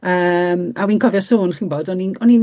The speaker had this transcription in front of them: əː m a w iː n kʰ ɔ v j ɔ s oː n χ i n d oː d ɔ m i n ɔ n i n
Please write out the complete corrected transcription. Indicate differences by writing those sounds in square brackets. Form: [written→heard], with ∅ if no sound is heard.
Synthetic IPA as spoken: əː m a w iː n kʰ ɔ v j ɔ s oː n χ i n [d→b] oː d ɔ [m→n] i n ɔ n i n